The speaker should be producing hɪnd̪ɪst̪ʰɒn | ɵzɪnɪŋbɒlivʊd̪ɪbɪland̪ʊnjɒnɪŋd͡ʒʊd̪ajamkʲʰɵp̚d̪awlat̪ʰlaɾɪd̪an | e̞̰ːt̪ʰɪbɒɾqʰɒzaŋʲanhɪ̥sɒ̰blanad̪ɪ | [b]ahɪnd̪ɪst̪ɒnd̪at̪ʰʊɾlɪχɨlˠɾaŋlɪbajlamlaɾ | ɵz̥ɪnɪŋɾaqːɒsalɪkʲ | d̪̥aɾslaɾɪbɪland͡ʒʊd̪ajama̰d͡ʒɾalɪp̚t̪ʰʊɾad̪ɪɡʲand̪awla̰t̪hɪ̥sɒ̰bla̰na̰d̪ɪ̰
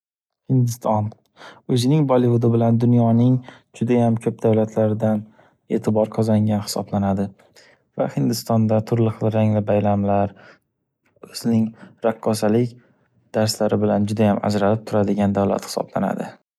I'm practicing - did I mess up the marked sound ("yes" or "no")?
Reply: yes